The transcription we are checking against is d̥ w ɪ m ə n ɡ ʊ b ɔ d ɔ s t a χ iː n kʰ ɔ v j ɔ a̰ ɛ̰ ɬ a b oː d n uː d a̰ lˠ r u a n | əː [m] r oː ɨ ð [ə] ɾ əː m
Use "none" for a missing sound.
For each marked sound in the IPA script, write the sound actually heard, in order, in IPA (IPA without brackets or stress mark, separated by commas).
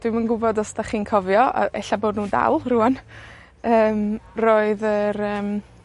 m, ə